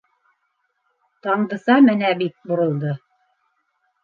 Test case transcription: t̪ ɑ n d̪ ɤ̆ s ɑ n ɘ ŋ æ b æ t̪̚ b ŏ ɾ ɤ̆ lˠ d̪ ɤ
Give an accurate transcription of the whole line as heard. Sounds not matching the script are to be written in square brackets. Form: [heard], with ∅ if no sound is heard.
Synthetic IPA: t̪ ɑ [ɴ] d̪ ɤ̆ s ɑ [m] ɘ [n] æ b [i] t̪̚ b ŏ ɾ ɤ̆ lˠ d̪ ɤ